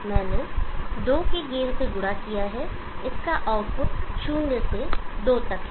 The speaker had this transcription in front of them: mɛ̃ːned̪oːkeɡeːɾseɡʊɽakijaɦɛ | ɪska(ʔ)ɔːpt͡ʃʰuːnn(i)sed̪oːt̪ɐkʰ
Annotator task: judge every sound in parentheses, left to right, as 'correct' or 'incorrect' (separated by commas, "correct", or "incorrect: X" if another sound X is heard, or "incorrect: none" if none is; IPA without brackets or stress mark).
correct, incorrect: e